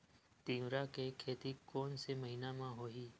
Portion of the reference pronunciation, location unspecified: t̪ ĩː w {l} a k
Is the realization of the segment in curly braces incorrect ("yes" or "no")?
yes